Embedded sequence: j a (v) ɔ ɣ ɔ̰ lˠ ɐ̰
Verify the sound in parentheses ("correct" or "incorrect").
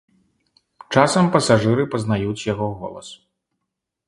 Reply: incorrect